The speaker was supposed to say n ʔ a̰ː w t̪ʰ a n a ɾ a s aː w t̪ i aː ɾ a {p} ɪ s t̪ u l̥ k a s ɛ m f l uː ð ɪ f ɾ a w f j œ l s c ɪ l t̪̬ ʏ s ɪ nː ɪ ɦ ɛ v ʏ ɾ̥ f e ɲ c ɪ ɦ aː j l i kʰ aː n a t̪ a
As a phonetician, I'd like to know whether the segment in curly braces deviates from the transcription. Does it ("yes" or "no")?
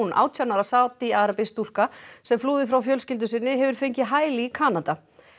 no